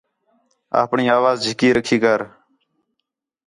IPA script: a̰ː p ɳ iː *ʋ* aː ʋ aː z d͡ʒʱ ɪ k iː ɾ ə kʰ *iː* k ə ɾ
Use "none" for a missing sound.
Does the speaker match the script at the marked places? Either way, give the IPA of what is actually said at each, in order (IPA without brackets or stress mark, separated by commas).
none, iː